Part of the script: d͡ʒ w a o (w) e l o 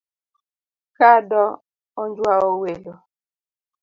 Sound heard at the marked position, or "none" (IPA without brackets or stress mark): w